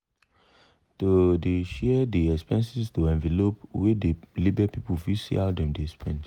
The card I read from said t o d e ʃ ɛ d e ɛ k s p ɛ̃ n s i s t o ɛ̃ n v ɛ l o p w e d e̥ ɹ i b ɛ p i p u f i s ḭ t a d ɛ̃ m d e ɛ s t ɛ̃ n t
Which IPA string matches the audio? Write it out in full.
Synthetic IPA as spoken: t o d e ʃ ɛ d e ɛ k s p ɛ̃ n s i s t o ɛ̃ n v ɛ l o p w e d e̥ l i b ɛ p i p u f i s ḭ a d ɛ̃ m d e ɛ s p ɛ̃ n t